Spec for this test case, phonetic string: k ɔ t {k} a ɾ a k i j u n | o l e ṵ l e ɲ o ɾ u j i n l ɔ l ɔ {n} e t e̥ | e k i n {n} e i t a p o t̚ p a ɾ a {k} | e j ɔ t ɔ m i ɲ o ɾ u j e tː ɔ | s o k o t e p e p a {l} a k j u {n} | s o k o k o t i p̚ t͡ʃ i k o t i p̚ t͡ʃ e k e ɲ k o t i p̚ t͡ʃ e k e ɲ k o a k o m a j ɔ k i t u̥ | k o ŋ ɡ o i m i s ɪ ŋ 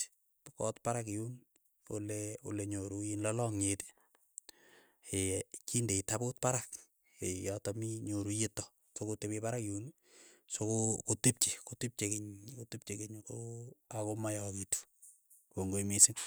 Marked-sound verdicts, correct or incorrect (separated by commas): incorrect, incorrect, incorrect, correct, incorrect, correct